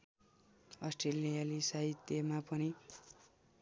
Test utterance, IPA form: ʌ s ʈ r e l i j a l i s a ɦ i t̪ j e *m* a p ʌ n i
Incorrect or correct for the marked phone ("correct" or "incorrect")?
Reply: correct